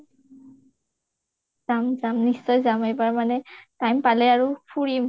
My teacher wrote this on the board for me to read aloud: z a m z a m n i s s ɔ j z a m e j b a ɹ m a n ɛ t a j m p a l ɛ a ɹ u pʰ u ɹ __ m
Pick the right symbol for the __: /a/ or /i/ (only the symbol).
i